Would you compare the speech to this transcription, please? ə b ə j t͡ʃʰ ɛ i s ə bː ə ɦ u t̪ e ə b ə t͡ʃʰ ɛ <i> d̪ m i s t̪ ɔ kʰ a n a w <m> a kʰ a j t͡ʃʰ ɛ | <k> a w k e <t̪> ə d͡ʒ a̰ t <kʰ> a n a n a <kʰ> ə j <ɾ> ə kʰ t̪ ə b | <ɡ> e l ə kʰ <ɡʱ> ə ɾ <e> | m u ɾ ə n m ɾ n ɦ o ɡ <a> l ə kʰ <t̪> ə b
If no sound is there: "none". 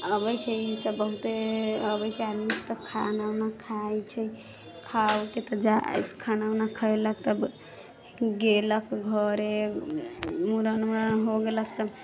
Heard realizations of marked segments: a, n, kʰ, t̪, kʰ, kʰ, l, ɡ, ɡʱ, e, e, t̪

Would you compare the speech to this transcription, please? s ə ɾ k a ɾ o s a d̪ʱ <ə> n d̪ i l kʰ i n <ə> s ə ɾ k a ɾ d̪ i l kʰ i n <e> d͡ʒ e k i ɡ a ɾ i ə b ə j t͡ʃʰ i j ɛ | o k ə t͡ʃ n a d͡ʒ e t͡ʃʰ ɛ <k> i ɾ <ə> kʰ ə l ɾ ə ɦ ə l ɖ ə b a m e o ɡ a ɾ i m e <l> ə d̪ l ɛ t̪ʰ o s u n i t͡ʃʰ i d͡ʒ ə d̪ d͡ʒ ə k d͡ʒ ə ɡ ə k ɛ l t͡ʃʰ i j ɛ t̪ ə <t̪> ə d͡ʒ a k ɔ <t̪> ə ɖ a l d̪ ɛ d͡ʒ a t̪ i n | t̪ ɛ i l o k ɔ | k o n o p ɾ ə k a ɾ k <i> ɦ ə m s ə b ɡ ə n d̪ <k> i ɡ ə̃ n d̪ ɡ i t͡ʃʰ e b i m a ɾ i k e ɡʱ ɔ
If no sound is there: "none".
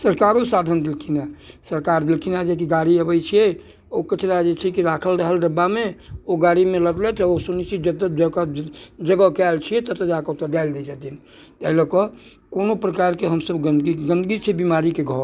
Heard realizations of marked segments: ə, a, a, k, a, l, t̪, t̪, e, ɡ

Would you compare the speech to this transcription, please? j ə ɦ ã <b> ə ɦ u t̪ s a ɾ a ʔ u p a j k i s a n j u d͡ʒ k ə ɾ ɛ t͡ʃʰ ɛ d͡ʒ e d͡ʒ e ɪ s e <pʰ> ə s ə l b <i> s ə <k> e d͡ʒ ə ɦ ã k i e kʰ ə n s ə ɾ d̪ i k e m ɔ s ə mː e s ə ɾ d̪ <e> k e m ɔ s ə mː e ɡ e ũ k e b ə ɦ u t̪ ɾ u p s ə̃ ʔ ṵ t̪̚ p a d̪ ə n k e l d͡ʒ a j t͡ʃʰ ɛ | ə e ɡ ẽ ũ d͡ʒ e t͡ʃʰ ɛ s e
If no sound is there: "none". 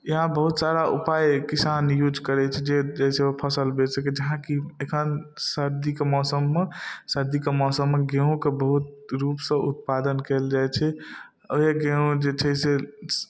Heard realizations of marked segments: b, pʰ, e, k, i

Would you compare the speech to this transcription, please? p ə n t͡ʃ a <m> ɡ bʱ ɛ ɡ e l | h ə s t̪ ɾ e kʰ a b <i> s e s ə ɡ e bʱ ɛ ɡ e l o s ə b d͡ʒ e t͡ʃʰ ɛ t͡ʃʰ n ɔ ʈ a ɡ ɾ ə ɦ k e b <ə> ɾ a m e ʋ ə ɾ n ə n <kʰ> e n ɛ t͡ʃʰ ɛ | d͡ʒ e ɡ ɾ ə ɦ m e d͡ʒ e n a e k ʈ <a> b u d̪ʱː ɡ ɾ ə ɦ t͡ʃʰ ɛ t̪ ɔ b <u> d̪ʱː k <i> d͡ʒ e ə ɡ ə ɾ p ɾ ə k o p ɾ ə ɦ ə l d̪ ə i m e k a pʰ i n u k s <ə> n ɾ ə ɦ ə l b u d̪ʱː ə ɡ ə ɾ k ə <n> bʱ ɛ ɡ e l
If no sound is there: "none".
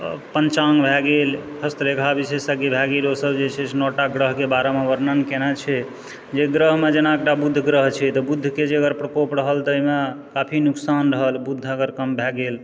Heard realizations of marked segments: ŋ, i, a, k, a, u, e, a, m

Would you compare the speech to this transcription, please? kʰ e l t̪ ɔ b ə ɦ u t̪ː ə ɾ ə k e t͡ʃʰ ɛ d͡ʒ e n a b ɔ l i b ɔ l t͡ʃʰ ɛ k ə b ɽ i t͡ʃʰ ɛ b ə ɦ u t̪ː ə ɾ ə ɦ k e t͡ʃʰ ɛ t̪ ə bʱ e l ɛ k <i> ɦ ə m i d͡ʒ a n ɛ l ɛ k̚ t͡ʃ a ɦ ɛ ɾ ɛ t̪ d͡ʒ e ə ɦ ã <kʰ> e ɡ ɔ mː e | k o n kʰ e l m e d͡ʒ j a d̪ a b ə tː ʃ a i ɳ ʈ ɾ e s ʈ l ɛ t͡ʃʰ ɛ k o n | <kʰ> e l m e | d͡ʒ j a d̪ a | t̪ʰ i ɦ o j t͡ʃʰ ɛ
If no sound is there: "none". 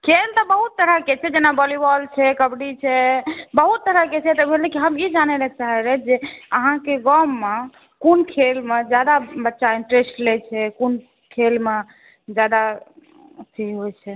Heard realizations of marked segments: i, k, kʰ

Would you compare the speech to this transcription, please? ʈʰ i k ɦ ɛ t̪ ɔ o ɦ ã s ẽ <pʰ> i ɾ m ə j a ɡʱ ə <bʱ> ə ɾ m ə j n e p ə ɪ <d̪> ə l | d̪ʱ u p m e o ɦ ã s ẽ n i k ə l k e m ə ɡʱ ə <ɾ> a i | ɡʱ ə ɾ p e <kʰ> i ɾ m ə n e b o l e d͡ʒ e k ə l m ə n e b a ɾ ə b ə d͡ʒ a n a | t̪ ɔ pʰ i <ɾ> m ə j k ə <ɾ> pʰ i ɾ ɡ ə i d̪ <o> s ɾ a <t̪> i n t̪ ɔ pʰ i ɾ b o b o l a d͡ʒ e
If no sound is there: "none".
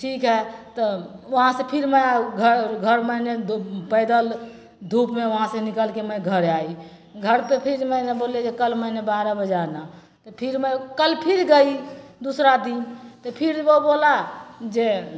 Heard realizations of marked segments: pʰ, ɡʱ, d̪, ɾ, pʰ, ɾ, l, u, d̪

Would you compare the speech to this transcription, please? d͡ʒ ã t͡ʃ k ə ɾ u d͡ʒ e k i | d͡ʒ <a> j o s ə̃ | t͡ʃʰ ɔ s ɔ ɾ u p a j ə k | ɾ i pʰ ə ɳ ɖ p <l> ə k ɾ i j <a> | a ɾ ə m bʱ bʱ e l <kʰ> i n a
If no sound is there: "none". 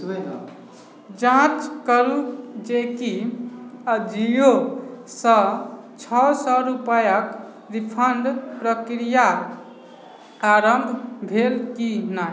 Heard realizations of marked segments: i, ɾ, a, k

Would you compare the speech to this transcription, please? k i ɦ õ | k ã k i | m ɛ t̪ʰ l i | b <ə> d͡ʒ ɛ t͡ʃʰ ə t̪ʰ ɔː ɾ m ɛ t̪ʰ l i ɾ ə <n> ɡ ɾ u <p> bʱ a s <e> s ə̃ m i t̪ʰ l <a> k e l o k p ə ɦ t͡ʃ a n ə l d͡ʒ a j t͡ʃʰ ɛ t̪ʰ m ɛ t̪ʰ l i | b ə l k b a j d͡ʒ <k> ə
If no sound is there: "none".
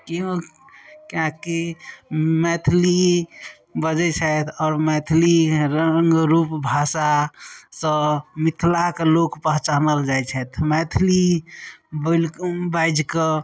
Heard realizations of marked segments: ə, ŋ, p, a, a, k

